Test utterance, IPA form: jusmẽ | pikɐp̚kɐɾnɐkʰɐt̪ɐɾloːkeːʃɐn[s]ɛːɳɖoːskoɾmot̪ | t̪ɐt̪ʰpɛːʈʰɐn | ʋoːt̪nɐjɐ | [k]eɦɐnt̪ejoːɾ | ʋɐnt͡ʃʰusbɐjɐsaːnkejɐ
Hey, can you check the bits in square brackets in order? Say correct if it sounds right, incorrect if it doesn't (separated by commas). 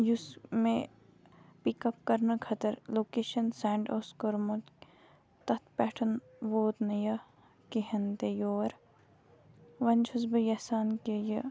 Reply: correct, correct